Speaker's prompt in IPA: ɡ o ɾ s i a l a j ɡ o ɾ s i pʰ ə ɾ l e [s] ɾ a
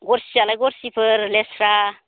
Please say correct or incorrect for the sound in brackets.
correct